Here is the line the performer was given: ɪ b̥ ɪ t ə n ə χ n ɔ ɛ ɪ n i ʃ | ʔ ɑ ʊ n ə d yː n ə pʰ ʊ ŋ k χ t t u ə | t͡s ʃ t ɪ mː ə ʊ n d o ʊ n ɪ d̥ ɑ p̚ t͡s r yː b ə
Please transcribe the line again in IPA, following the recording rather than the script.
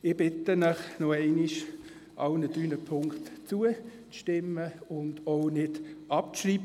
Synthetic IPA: ɪ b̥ ɪ t ə n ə χ n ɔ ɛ ɪ n i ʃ | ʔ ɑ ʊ n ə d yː n ə pʰ ʊ ŋ k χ t t͡s u ə | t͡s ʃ t ɪ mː ə ʊ n d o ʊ n ɪ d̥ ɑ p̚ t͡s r iː b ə